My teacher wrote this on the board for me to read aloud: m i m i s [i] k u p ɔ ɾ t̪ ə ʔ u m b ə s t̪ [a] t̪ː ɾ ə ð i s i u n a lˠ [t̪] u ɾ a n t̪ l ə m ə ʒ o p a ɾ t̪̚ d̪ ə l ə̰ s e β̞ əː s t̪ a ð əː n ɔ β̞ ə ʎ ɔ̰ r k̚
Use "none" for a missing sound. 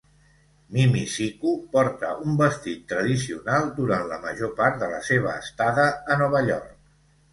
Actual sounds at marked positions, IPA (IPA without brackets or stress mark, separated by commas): i, i, d̪